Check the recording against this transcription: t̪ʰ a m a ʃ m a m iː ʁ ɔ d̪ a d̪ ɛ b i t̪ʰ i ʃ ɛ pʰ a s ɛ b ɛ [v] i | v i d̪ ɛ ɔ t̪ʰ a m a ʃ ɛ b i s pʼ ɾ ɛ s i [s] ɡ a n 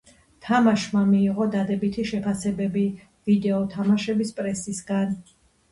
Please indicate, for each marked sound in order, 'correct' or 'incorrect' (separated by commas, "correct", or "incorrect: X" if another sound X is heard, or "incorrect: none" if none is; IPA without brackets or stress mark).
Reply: incorrect: b, correct